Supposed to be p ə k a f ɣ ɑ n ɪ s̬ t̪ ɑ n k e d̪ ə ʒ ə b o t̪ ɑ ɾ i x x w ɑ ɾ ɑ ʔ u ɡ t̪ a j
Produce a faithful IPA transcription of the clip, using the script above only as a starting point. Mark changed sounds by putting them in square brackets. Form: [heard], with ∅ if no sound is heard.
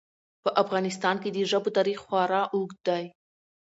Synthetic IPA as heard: p ə [ʔ] a f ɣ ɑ n ɪ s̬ t̪ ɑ n k e d̪ ə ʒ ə b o t̪ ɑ ɾ i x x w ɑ ɾ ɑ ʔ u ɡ [d̪] a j

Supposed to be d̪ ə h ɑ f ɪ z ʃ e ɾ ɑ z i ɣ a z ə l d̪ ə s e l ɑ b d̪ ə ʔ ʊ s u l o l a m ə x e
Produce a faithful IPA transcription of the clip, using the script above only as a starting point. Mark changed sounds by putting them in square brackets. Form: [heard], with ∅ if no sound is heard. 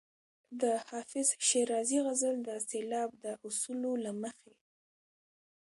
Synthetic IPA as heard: d̪ ə h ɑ f ɪ z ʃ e ɾ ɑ z i ɣ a z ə l d̪ ə s e l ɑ b d̪ ə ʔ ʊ s u l o l a m ə x e

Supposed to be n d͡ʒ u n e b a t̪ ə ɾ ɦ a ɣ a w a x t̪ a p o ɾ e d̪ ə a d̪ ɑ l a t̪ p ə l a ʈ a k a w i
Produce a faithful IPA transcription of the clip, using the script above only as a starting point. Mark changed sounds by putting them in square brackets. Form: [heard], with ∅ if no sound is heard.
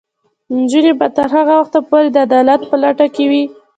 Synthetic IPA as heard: n d͡ʒ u n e b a t̪ ə ɾ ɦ a ɣ a w a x t̪ a p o ɾ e d̪ ə a d̪ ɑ l a t̪ p ə l a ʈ a k [e] w i

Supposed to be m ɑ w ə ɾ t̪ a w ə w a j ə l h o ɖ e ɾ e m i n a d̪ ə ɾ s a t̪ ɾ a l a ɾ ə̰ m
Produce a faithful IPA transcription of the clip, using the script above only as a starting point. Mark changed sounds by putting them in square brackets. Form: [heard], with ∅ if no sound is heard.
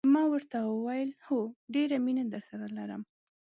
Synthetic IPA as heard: m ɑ w ə ɾ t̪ a w ə w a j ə l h o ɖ e ɾ [a] m i n a d̪ ə ɾ s a [∅] ɾ a l a ɾ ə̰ m

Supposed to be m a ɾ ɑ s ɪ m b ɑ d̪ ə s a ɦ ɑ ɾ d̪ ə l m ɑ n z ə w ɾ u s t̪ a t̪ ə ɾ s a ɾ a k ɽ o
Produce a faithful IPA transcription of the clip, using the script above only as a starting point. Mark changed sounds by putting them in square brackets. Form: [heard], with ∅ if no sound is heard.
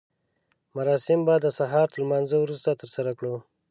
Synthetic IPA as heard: m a ɾ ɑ s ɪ m b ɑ d̪ ə s a ɦ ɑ ɾ [t̪] ə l m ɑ n z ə w ɾ u s t̪ a t̪ ə ɾ s a ɾ a k ɽ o

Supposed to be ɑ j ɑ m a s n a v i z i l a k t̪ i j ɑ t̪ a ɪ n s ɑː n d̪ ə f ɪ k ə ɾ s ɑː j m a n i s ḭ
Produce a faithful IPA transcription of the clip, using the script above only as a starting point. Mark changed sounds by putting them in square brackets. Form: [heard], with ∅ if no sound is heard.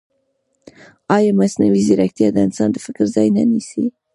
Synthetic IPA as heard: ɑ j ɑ m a s n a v i z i [ɾ] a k t̪ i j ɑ [d̪] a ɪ n s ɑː n d̪ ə f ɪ k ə ɾ [z] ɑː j [n] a n i s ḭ

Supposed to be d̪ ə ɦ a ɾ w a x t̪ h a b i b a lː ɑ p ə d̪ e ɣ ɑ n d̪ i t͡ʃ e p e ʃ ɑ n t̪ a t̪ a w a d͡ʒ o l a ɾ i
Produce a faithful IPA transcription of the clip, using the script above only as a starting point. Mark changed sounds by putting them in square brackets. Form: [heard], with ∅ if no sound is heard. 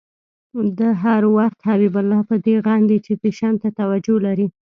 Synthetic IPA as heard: d̪ ə ɦ a ɾ w a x t̪ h a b i b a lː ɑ p ə d̪ e ɣ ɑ n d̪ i t͡ʃ e p e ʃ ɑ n t̪ a t̪ a w a d͡ʒ o l a ɾ i

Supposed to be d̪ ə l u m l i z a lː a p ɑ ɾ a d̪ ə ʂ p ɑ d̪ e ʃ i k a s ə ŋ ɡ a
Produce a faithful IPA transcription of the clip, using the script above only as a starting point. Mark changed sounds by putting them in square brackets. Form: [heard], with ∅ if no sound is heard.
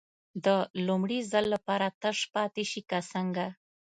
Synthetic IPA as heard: d̪ ə l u m [ɽ] i z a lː a p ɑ ɾ a [t̪] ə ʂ p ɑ [t̪] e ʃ i k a s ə ŋ ɡ a

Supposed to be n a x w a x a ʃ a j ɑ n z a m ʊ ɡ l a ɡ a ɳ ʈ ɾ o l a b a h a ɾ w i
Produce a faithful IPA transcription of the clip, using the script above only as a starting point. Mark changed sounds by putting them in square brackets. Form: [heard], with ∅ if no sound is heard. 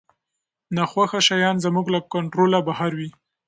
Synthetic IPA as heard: n a x w a x a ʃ a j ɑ n z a m [u] ɡ l a [k] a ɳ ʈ ɾ o l a b a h a ɾ w i

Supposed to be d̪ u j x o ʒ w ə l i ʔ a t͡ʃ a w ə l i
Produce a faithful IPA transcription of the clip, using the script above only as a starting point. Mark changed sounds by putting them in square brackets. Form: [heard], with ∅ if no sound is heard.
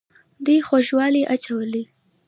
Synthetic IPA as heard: d̪ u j x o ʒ w [ɑ] l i ʔ a t͡ʃ a w ə l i

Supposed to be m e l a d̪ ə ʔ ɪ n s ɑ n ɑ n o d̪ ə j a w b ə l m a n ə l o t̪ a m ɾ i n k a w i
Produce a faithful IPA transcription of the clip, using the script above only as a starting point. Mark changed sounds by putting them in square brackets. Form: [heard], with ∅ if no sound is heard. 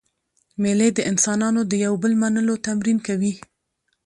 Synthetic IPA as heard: m e l [e] d̪ ə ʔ ɪ n s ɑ n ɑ n o d̪ ə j a w b ə l m a n ə l o t̪ a m ɾ i n k a w i

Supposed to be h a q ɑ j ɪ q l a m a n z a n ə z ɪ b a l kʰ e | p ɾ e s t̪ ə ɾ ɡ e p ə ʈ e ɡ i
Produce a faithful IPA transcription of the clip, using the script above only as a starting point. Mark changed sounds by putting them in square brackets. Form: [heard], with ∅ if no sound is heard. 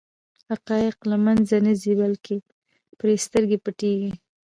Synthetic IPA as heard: h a q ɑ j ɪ q l a m a n z a n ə z [i] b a l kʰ e | p ɾ e s t̪ ə ɾ ɡ e p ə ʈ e ɡ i

